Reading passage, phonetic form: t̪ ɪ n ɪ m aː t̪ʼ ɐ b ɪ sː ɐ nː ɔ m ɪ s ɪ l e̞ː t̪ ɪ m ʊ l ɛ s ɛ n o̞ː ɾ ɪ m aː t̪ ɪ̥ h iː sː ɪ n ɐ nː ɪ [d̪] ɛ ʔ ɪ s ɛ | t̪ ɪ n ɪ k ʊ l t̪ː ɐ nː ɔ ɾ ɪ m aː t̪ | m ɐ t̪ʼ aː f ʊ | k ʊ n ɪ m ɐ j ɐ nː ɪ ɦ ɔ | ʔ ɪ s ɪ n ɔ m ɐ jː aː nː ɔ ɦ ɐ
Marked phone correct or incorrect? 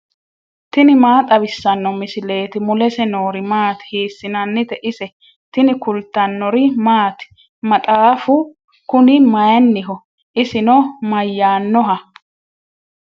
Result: incorrect